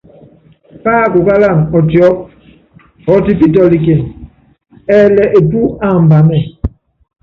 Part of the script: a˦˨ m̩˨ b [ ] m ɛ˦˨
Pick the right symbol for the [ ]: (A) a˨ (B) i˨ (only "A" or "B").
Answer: A